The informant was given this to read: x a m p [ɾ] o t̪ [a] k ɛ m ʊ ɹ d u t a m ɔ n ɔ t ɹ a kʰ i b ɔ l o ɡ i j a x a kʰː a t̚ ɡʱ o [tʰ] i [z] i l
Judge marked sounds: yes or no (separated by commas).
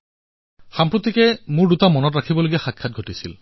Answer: no, no, no, no